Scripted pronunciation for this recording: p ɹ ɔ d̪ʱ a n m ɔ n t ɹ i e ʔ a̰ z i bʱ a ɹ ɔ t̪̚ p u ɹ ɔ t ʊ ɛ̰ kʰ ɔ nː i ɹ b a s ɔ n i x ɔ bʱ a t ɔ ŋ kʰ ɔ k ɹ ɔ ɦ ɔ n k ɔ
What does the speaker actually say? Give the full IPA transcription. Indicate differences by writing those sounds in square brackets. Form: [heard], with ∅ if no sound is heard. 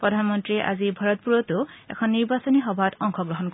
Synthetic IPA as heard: p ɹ ɔ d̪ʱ a n m ɔ n t ɹ i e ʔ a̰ z i bʱ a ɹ ɔ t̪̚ p u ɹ ɔ t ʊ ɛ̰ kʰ ɔ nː i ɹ b a s ɔ n i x ɔ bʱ a t ɔ ŋ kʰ ɔ [ɡ] ɹ ɔ ɦ ɔ n k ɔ